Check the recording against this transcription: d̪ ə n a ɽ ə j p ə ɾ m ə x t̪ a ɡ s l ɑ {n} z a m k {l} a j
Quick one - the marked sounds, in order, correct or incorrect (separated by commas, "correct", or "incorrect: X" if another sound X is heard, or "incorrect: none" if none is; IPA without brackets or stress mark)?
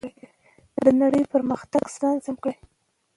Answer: correct, incorrect: ɽ